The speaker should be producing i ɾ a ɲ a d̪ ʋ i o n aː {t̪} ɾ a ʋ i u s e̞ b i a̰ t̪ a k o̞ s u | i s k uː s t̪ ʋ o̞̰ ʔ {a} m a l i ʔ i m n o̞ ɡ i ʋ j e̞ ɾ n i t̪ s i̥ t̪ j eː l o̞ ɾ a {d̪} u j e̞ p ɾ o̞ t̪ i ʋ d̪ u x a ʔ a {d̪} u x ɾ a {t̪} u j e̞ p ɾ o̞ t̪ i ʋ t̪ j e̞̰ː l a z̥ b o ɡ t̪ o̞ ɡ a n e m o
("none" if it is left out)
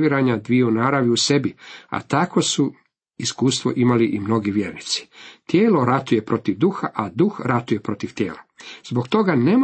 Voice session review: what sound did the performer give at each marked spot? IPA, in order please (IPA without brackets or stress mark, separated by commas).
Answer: none, i, t̪, d̪, t̪